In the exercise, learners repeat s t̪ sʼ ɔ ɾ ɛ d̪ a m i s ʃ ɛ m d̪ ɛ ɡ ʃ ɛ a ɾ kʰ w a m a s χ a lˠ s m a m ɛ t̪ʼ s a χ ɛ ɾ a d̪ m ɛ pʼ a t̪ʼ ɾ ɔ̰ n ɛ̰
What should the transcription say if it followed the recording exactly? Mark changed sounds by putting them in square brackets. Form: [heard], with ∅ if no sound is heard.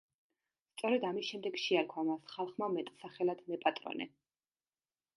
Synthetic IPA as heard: s t̪ sʼ ɔ ɾ ɛ d̪ a m i s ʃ ɛ m d̪ ɛ ɡ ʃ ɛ a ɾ kʰ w a m a s χ a lˠ [χ] m a m ɛ t̪ʼ s a χ ɛ [l] a d̪ m ɛ pʼ a t̪ʼ ɾ ɔ̰ n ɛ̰

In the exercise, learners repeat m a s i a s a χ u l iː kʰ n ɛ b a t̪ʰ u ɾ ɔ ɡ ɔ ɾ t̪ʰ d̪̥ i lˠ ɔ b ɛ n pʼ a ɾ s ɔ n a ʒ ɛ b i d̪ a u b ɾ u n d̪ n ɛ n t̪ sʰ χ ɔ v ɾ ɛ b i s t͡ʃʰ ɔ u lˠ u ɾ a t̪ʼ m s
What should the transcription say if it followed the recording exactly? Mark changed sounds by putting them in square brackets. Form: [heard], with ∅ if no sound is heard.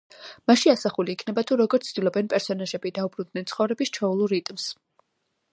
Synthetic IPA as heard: m a [ʃ] i a s a χ u l iː kʰ n ɛ b a t̪ʰ u ɾ ɔ ɡ ɔ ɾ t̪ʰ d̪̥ i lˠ ɔ b ɛ n pʼ [ɛ] ɾ s ɔ n a ʒ ɛ b i d̪ a u b ɾ u n d̪ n ɛ n t̪ sʰ χ ɔ v ɾ ɛ b i s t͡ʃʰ ɔ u lˠ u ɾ [i] t̪ʼ m s

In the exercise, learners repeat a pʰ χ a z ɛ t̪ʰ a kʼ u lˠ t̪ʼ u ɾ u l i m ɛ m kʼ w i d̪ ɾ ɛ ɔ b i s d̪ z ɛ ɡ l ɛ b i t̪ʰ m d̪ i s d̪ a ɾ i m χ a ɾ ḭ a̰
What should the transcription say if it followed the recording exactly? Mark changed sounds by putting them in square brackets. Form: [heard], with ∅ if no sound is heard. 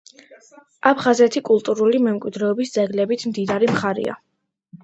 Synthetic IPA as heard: a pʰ χ a z ɛ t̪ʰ [i] kʼ u lˠ t̪ʼ u ɾ u l i m ɛ m kʼ w i d̪ ɾ ɛ ɔ b i s d̪ z ɛ ɡ l ɛ b i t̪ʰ m d̪ i [∅] d̪ a ɾ i m χ a ɾ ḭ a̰

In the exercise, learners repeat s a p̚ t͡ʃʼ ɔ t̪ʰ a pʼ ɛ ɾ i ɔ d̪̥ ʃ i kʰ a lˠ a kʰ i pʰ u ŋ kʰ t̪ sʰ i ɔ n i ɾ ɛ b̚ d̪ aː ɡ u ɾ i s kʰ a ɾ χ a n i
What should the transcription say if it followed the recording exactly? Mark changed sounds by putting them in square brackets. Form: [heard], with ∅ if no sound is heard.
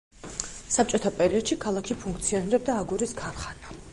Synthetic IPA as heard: s a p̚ t͡ʃʼ ɔ t̪ʰ a pʼ ɛ ɾ i ɔ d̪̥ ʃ i kʰ a lˠ a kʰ i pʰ u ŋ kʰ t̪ sʰ i ɔ n i ɾ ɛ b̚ d̪ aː ɡ u ɾ i s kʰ a ɾ χ a n [a]

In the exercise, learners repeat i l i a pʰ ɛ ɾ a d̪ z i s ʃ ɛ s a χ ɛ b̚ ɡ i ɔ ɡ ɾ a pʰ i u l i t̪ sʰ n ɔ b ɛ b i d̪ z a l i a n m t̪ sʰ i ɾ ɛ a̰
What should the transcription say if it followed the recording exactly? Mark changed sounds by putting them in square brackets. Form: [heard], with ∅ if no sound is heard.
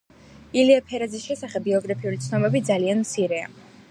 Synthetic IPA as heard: i l i a pʰ ɛ ɾ a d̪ z i s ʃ ɛ s a χ ɛ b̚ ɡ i ɔ ɡ ɾ a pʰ i u l i t̪ sʰ n ɔ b ɛ b i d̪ z a l i a n m t̪ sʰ i ɾ ɛ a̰

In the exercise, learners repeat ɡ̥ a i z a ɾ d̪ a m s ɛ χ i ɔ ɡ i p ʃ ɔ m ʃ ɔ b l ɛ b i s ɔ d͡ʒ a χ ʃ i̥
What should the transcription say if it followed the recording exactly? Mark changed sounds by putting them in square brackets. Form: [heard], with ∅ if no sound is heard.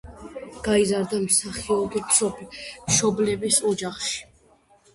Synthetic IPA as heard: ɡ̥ a i z a ɾ d̪ a m s [a] χ i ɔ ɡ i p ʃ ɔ m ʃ ɔ b l ɛ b i s ɔ d͡ʒ a χ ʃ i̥

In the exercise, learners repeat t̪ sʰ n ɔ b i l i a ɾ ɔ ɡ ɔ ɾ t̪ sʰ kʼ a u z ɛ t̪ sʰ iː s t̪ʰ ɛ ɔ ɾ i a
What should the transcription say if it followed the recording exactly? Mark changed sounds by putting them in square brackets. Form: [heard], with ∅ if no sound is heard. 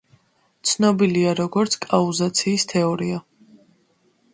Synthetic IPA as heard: t̪ sʰ n ɔ b i l i a ɾ ɔ ɡ ɔ ɾ t̪ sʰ kʼ a u z [a] t̪ sʰ iː s t̪ʰ ɛ ɔ ɾ i a

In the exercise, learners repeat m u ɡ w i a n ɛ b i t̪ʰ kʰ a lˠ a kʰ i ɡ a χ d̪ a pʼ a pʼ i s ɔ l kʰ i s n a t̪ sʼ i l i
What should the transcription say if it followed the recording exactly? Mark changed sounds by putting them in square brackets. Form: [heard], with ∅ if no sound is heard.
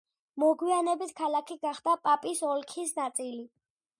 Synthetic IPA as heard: m [ɔ] ɡ w i a n ɛ b i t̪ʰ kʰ a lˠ a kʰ i ɡ a χ d̪ a pʼ a pʼ i s ɔ l kʰ i s n a t̪ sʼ i l i

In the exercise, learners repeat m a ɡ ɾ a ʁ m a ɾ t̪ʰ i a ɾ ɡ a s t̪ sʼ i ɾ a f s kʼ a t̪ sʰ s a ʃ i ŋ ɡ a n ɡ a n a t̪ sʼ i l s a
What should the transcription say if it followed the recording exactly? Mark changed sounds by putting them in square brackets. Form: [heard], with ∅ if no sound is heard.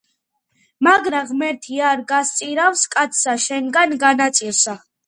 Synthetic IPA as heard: m a ɡ ɾ a ʁ m [ɛ] ɾ t̪ʰ i a ɾ ɡ a s t̪ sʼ i ɾ a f s kʼ a t̪ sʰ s a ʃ [ɛ] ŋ ɡ a n ɡ a n a t̪ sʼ i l s a

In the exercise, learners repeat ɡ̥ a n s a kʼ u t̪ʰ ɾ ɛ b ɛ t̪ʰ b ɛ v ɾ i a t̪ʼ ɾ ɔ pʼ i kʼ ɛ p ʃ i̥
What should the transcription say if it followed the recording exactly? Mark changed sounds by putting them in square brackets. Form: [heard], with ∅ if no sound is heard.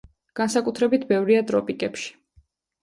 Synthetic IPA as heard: ɡ̥ a n s a kʼ u t̪ʰ ɾ ɛ b [i] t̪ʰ b ɛ v ɾ i a t̪ʼ ɾ ɔ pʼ i kʼ ɛ p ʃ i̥

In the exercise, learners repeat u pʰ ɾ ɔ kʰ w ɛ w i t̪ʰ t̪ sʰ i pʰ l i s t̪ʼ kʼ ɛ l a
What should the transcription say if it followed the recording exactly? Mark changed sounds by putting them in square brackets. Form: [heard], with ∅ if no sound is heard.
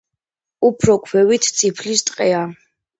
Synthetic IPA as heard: u pʰ ɾ ɔ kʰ w ɛ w i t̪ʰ t̪ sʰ i pʰ l i s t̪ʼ [qʼ] ɛ [∅] a

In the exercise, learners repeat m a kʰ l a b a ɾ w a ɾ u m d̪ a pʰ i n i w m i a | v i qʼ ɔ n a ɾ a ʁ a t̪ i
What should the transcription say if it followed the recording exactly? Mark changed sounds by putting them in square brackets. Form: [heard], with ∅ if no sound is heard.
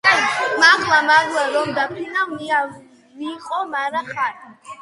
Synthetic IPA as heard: m a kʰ l a [m] a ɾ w a ɾ [ɔ] m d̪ a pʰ i n [a] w m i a | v i qʼ ɔ [m] a ɾ a [χ] a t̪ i

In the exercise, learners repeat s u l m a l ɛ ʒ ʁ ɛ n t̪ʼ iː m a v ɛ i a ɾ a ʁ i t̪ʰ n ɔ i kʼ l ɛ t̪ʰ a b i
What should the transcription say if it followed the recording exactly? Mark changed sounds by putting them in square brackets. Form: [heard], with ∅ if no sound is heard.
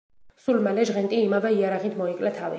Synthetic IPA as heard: s u l m a l ɛ ʒ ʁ ɛ n t̪ʼ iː m a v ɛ i a ɾ a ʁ i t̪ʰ [m] ɔ i kʼ l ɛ t̪ʰ a [v] i

